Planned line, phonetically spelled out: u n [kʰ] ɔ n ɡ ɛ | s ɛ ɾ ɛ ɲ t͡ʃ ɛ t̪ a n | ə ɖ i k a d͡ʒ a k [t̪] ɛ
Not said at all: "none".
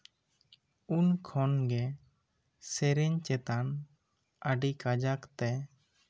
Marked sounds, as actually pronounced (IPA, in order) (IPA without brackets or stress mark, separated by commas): kʰ, t̪